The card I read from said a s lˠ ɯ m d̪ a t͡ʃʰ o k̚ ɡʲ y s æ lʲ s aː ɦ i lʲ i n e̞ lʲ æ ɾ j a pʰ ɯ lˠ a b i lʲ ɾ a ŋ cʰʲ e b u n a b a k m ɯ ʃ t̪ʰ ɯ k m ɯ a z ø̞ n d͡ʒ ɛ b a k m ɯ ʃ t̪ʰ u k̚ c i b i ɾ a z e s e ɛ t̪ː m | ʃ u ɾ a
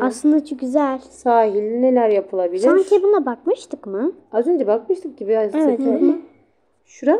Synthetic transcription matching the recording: a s lˠ ɯ n d̪ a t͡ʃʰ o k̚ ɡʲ y z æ lʲ s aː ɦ i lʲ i n e̞ lʲ æ ɾ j a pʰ ɯ lˠ a b i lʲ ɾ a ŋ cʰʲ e b u n a b a k m ɯ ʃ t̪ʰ ɯ k m ɯ a z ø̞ n d͡ʒ ɛ b a k m ɯ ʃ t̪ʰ ɯ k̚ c i b i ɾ a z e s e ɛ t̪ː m | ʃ u ɾ a